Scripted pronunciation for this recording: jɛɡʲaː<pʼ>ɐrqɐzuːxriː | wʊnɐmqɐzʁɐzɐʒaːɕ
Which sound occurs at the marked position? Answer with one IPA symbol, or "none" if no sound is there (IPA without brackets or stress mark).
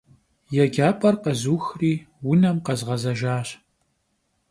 pʼ